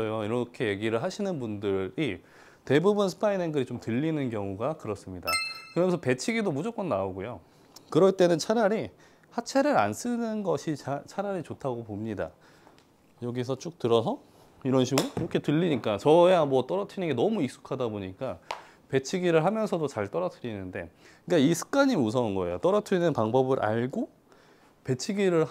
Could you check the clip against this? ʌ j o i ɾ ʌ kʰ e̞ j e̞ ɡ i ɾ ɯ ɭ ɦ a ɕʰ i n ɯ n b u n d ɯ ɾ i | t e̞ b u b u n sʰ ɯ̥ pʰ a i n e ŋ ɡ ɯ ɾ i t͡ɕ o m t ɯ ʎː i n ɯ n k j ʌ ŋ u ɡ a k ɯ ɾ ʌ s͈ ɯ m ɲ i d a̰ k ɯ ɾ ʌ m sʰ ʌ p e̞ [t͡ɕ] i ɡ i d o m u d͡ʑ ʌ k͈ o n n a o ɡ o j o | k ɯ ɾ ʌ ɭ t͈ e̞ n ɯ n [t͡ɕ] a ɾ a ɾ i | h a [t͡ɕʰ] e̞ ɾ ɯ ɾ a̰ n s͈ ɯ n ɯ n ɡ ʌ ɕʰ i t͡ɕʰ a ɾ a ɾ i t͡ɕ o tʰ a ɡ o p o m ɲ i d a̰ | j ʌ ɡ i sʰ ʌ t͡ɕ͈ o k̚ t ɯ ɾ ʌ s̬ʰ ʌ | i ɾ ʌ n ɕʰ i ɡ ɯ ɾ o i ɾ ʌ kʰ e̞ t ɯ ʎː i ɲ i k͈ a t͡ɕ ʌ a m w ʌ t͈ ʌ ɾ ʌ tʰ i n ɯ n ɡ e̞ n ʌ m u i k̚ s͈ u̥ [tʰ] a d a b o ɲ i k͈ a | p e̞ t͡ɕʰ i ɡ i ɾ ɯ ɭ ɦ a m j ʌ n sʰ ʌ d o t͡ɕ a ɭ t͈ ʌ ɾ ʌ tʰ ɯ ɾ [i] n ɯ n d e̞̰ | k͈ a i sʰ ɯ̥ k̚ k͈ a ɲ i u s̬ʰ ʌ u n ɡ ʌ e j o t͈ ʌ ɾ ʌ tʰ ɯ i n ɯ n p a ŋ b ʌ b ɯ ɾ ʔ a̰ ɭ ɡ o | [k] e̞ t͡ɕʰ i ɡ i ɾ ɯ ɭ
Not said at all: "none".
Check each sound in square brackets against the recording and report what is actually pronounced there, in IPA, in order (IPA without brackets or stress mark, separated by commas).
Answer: t͡ɕʰ, t͡ɕʰ, t͡ɕʰ, kʰ, i, p